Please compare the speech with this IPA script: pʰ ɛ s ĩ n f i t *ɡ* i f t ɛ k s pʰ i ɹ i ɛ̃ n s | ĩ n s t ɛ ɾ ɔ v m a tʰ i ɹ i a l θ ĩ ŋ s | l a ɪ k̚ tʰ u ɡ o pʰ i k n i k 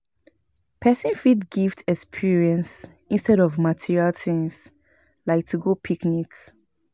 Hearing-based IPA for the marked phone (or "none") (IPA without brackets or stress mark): ɡ